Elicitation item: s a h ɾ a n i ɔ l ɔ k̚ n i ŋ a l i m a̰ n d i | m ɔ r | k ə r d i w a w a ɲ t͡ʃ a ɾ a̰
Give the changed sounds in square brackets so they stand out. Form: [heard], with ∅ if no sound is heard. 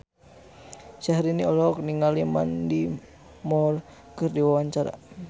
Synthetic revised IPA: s a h ɾ [i] n i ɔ l ɔ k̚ n i ŋ a l i m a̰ n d i | m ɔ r | k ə r d i w a w a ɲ t͡ʃ a ɾ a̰